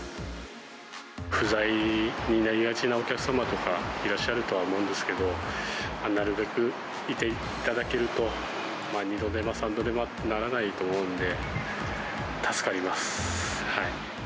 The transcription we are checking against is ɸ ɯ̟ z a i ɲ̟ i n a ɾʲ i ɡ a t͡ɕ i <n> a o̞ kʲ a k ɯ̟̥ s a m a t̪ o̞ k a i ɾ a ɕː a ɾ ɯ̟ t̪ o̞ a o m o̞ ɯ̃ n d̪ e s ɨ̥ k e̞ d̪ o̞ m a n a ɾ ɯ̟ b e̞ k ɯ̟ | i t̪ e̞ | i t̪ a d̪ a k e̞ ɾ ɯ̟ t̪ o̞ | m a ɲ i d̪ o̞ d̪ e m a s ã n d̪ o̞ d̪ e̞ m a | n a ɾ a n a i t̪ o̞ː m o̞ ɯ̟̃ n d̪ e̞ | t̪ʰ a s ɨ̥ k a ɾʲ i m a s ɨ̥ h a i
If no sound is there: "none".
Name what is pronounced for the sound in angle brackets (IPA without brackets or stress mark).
n